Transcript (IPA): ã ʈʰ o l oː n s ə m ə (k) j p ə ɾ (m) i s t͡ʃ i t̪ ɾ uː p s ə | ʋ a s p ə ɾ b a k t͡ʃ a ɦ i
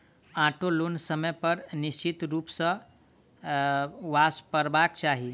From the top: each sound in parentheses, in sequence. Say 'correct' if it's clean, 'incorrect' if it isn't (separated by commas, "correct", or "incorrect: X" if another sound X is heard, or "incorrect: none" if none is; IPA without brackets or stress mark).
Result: incorrect: none, incorrect: n